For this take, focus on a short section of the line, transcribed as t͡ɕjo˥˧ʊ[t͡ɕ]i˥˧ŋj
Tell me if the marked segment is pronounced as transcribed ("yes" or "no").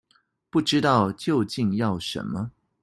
yes